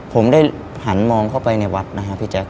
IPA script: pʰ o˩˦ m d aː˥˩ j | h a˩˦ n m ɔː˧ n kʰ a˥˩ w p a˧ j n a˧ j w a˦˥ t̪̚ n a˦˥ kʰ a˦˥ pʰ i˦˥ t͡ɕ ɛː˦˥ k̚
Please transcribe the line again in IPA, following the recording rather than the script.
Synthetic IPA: pʰ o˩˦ m d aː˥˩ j | h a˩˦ n m ɔː˧ ŋ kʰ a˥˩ w p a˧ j n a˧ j w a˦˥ t̪̚ n a˦˥ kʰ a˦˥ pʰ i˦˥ t͡ɕ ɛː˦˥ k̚